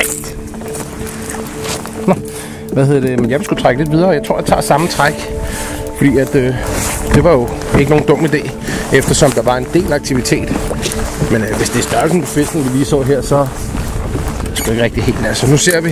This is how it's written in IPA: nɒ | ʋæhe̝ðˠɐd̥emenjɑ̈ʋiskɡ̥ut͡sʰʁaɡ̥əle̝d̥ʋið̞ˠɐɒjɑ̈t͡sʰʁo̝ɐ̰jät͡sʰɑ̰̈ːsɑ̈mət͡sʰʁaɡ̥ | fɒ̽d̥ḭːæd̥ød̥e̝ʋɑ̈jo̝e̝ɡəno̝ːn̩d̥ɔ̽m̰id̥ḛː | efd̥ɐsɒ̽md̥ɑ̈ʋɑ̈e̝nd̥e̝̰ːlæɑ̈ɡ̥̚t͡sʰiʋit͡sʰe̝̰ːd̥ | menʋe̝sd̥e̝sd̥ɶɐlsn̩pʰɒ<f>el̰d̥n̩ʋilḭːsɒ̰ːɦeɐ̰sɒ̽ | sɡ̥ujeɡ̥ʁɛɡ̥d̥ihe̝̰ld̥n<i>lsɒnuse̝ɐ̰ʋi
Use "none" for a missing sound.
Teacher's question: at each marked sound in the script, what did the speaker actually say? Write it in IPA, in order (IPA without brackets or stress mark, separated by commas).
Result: f, æ